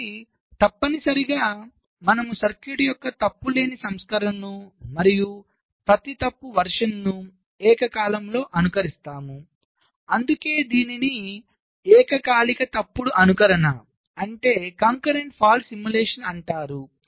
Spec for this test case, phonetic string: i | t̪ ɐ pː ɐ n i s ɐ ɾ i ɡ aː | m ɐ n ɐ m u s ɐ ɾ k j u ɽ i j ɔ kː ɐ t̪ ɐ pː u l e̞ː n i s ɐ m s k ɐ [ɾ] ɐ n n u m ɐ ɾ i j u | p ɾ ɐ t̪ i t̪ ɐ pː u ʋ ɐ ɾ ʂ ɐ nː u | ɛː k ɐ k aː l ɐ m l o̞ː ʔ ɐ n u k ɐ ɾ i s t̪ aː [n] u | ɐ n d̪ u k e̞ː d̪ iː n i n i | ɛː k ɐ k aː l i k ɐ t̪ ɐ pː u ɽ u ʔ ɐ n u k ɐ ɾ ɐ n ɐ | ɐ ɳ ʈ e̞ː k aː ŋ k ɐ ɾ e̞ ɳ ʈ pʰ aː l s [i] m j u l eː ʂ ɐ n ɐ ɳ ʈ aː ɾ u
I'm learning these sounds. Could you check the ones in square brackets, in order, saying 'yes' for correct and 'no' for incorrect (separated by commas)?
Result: yes, no, yes